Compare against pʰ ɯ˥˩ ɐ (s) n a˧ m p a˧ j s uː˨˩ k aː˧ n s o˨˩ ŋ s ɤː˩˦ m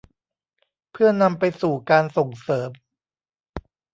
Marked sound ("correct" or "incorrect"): incorrect